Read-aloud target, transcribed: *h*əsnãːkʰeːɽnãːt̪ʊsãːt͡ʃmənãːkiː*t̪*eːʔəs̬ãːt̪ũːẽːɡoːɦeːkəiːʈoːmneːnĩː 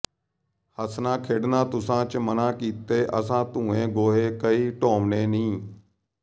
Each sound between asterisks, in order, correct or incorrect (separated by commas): correct, correct